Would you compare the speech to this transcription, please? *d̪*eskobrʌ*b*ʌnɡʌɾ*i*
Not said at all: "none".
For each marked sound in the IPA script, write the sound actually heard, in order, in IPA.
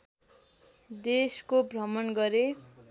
d̪, m, e

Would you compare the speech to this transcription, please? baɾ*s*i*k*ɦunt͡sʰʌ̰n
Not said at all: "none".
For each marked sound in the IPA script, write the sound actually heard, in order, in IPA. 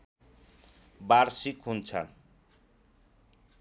s, k

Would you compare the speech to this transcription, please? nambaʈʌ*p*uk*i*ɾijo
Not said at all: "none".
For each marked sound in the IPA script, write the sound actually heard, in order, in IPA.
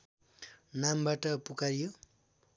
p, a

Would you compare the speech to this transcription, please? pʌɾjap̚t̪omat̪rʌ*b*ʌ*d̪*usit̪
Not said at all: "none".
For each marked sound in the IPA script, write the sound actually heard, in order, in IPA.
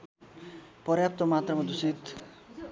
m, d̪

